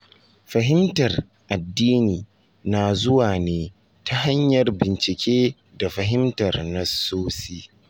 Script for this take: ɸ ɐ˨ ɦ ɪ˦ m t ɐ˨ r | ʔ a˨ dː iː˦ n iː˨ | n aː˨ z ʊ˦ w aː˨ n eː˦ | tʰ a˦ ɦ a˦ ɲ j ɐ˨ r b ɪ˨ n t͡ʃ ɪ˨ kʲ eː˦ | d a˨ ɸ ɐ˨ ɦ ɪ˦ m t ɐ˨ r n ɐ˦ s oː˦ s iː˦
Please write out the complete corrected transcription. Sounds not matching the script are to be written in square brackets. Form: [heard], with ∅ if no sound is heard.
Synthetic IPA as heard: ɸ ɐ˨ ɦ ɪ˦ m t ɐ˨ r | ʔ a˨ dː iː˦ n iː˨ | n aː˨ z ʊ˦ w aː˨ n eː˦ | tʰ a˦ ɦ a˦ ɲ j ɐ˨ r b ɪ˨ n t͡ʃ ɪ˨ kʲ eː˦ | d a˨ ɸ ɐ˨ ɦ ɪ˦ m t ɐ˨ r n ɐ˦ s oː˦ s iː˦